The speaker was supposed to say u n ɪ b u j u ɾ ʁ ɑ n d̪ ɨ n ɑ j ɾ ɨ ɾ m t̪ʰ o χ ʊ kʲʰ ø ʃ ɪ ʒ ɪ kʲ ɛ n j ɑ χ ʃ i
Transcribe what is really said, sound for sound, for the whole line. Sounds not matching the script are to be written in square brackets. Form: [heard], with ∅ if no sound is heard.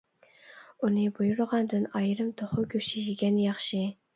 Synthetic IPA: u n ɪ b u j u ɾ ʁ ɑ n d̪ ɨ n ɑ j ɾ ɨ [∅] m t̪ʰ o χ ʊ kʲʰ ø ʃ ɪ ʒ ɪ [ɡʲ] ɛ n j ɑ χ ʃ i